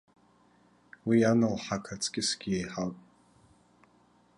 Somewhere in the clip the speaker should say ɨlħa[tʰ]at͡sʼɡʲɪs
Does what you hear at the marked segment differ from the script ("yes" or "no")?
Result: yes